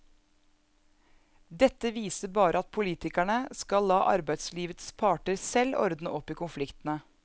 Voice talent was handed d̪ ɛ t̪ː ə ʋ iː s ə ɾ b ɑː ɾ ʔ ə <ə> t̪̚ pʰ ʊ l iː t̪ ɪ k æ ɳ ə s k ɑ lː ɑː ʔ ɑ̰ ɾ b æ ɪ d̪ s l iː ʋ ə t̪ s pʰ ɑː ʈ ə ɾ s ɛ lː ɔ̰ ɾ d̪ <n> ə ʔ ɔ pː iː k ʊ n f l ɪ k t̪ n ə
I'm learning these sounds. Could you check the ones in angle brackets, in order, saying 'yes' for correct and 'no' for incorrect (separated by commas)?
no, yes